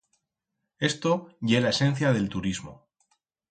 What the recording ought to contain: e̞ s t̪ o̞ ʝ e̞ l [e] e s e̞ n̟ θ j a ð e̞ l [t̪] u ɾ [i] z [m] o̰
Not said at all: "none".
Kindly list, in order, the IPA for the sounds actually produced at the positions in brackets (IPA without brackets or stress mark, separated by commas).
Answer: a, t̪, i, m